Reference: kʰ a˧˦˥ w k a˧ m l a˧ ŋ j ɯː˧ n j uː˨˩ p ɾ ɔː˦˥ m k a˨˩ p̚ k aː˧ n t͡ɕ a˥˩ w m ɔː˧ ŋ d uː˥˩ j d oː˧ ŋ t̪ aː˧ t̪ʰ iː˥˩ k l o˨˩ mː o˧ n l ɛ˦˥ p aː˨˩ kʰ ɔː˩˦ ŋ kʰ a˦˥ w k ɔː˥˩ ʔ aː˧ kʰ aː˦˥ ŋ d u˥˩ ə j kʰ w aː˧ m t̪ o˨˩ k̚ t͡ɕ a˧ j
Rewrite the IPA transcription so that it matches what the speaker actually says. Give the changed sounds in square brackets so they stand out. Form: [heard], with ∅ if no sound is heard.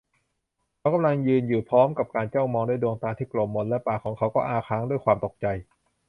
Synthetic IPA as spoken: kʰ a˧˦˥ w k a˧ m l a˧ ŋ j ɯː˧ n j uː˨˩ [pʰ] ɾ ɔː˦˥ m k a˨˩ p̚ k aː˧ n t͡ɕ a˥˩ w m ɔː˧ ŋ d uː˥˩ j d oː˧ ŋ t̪ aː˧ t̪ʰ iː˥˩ k l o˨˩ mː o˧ n l ɛ˦˥ p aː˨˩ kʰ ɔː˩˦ ŋ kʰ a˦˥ w k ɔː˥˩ ʔ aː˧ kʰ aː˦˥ ŋ d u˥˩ ə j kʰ w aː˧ m t̪ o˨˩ k̚ t͡ɕ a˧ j